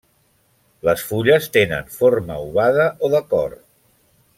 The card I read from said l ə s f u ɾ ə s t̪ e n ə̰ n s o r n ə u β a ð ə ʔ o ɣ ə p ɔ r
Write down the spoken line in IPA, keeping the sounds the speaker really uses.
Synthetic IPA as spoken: l ə s f u ʎ ə s t̪ e n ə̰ n f o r m ə u β a ð ə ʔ o ð ə k ɔ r